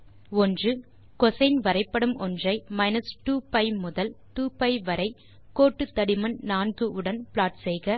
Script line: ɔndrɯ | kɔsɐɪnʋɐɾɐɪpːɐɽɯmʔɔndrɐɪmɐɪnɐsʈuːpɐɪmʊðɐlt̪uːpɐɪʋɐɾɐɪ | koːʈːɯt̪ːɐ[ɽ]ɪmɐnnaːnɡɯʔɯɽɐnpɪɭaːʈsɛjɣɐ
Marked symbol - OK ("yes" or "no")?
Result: yes